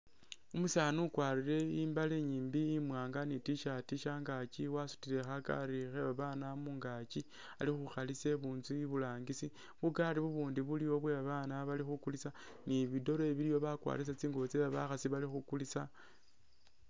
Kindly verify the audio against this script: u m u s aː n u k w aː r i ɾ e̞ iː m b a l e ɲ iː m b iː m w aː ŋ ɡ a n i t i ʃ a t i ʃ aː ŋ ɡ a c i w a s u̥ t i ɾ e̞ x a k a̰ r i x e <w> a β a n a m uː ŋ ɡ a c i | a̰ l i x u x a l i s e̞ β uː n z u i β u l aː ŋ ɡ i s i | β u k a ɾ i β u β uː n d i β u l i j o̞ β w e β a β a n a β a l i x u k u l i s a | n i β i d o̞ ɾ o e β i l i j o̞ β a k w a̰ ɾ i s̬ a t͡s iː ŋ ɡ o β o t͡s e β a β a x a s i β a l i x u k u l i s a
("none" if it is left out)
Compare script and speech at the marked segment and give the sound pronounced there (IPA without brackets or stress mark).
β